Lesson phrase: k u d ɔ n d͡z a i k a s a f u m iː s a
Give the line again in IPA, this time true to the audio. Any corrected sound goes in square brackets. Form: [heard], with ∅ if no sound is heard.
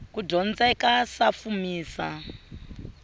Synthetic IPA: k u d ɔ n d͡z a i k a s a f u m iː s a